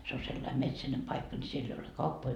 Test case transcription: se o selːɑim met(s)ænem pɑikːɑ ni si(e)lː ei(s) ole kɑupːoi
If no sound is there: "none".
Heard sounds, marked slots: s, e, none

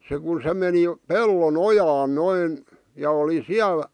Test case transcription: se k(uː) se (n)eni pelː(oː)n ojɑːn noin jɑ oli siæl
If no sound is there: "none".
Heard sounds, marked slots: u, m, o

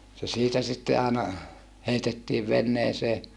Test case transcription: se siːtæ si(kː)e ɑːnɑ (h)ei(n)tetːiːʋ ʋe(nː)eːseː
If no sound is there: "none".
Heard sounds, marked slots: tː, h, none, nː

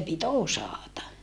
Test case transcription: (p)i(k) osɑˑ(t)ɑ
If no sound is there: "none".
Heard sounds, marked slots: p, t, t

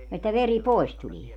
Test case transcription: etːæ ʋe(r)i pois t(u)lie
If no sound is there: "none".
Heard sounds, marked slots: r, u

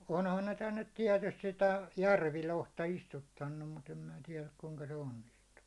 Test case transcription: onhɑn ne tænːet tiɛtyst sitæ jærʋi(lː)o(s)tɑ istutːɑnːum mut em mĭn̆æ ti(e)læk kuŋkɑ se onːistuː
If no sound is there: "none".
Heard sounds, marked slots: l, h, ɛ

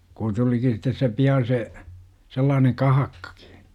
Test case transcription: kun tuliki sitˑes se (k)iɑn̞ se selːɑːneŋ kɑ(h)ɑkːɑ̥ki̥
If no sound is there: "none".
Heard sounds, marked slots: p, h

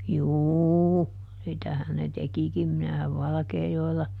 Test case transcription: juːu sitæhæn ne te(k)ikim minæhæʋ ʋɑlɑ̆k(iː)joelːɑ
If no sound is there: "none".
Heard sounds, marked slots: k, eː

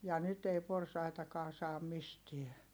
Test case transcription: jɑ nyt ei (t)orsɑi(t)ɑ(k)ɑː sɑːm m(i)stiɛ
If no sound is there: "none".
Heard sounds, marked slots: p, t, k, i

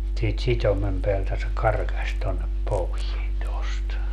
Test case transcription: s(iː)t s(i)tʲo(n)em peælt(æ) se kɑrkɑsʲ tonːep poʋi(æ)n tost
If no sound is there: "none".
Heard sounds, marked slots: iː, i, m, æ, e

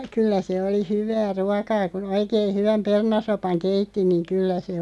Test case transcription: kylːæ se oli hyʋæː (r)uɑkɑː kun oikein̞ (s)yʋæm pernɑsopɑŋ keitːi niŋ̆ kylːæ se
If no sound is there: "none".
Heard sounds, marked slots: r, h

